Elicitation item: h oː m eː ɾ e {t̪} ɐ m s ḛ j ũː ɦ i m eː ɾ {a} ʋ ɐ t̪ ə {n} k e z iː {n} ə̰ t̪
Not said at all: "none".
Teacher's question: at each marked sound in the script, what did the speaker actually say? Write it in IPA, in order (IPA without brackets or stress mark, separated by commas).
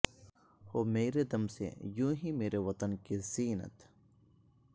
d̪, e, n, n